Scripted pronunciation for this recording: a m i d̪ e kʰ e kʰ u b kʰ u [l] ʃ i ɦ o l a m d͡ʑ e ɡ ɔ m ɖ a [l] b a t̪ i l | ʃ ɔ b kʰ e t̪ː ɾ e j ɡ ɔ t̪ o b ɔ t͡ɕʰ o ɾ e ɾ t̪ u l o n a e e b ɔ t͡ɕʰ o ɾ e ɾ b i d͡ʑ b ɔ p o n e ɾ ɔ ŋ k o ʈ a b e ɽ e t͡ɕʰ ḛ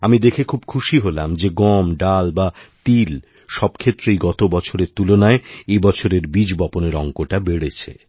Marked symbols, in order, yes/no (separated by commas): no, yes